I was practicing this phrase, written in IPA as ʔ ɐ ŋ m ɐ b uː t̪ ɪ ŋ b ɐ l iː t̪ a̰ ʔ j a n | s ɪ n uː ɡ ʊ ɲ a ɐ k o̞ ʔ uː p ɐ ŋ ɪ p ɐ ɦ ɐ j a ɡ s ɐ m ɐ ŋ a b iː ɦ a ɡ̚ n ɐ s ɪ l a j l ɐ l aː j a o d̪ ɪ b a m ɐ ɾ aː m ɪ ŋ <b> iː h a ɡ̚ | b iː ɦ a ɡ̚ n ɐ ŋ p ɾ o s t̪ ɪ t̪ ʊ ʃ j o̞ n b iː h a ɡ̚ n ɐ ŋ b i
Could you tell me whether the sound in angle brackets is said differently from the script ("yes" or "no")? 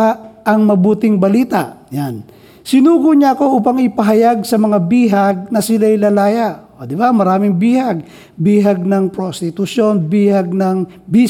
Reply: no